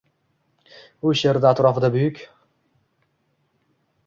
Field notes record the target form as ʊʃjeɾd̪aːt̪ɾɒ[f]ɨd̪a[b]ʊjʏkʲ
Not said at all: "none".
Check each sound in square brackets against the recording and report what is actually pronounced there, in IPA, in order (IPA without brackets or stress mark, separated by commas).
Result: f, b